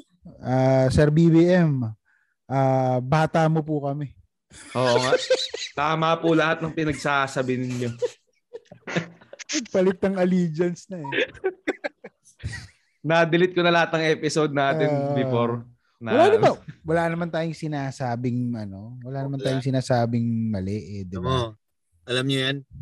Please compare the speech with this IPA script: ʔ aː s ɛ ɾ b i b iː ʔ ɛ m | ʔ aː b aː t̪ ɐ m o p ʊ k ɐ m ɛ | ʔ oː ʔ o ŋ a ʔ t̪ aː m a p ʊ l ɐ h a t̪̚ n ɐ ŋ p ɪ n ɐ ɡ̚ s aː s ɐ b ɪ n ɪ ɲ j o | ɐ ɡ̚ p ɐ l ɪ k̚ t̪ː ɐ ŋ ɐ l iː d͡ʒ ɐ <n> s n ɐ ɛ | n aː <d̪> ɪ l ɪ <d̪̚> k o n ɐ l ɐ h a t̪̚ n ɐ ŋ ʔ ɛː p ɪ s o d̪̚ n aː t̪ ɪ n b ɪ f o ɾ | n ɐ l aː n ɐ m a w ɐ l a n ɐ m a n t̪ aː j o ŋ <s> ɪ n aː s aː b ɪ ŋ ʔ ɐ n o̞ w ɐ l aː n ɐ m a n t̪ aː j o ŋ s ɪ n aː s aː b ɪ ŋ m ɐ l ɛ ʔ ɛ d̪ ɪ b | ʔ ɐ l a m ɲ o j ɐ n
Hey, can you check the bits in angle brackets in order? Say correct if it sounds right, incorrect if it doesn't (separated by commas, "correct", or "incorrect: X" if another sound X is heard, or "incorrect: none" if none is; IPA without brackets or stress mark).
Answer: correct, correct, incorrect: t̪̚, correct